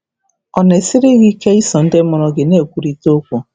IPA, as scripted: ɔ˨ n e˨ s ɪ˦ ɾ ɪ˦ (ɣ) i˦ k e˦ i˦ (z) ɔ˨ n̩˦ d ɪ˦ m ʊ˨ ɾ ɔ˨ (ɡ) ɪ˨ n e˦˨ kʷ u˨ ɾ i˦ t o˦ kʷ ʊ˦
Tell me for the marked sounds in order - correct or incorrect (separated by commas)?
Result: correct, incorrect, correct